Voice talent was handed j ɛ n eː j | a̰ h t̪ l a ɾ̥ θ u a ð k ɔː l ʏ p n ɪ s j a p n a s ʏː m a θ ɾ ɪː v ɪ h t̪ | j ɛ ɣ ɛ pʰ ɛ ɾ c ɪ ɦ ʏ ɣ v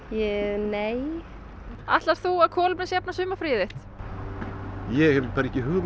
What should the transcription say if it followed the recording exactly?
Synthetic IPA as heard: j ɛ n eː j | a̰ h t̪ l a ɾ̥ θ u a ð kʰ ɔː l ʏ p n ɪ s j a p n a s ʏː m a f ɾ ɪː ð ɪ h t̪ | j ɛ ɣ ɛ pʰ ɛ ɾ c ɪ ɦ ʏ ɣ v